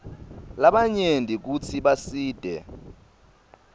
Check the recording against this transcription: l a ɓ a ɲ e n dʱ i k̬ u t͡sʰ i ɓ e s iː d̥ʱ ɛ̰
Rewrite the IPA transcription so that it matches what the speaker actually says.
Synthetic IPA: l a ɓ a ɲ e n dʱ i k̬ u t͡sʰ i ɓ a s iː d̥ʱ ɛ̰